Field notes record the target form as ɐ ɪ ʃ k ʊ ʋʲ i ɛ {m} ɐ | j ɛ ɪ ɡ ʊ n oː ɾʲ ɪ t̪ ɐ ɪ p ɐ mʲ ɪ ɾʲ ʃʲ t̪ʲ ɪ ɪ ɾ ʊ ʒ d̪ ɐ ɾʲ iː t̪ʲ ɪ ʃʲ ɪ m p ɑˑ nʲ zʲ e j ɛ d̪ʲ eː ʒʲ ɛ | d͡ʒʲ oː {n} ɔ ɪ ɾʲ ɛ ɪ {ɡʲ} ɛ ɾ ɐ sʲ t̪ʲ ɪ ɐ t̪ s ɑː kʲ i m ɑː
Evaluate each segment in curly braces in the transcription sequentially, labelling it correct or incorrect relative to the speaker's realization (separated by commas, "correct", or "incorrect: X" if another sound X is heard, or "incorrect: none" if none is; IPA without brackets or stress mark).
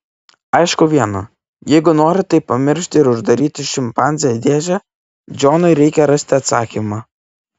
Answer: incorrect: n, correct, incorrect: kʲ